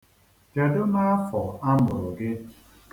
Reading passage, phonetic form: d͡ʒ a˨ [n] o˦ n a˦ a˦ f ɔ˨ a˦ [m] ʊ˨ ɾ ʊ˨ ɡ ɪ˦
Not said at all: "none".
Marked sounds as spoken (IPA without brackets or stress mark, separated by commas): d, m